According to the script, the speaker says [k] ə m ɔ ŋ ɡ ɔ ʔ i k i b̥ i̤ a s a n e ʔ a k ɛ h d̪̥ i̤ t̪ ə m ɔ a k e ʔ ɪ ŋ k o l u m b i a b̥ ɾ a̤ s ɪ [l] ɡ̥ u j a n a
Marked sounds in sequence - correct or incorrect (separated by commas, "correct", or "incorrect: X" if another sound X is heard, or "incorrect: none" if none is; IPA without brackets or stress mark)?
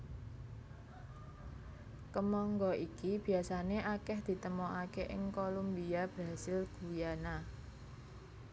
correct, correct